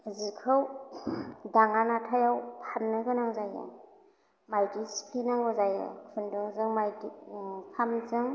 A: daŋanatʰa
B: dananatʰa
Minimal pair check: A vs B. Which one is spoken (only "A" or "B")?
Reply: A